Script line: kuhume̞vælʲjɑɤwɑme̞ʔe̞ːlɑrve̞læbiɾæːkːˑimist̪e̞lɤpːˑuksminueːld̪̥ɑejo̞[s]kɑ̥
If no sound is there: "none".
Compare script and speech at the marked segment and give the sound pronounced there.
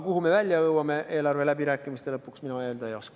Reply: s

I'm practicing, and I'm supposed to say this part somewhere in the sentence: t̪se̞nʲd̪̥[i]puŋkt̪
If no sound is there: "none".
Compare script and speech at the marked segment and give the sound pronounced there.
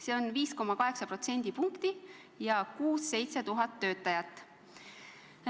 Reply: i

